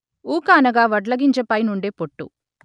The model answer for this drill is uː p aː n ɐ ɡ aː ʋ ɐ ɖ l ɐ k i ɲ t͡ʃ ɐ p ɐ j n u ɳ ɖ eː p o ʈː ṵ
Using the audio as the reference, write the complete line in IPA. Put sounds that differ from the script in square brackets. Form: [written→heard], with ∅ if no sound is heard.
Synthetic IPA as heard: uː [p→k] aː n ɐ ɡ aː ʋ ɐ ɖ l ɐ [k→ɡ] i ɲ t͡ʃ ɐ p ɐ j n u ɳ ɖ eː p o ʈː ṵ